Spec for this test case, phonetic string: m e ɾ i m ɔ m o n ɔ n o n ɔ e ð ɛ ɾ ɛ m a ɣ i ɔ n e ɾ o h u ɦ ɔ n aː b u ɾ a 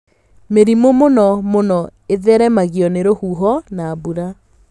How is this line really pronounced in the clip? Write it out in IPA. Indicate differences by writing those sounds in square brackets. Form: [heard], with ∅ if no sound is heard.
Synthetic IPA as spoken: m e ɾ i m [o] m o n ɔ [m] o n ɔ e ð ɛ ɾ ɛ m a ɣ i ɔ n e ɾ o h u ɦ ɔ n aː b u ɾ a